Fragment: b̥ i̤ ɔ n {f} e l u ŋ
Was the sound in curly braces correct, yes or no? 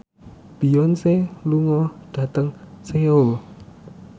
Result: no